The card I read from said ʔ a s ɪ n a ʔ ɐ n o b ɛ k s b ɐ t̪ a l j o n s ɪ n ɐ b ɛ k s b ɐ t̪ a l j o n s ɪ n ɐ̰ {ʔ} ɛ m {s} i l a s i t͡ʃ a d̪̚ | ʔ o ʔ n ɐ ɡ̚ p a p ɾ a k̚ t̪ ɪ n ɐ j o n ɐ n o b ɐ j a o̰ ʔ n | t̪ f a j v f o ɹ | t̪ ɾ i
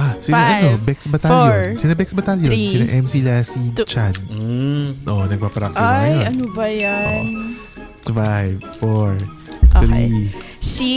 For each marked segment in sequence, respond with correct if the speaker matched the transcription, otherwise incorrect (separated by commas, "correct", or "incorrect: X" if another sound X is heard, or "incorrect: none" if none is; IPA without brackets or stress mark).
correct, correct